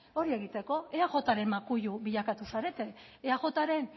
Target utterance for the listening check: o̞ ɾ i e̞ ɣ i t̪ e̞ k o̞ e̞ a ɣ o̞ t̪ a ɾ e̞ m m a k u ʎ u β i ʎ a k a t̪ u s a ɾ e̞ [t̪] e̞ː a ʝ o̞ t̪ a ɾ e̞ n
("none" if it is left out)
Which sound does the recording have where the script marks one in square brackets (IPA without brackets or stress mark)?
t̪